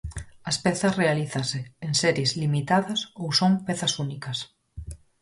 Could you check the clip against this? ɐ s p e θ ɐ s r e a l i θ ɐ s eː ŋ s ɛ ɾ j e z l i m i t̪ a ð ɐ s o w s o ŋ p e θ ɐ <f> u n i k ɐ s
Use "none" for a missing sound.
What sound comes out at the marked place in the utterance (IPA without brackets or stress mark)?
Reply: s